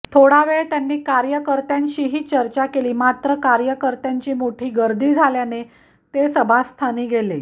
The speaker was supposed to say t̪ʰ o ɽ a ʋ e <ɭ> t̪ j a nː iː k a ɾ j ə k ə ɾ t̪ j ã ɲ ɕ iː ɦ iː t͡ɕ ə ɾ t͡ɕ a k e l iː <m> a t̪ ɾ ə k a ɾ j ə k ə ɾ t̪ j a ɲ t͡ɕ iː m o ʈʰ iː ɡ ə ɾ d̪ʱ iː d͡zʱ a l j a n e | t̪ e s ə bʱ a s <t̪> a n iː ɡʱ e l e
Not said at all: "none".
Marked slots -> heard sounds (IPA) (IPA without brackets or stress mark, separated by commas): ɭ, m, t̪ʰ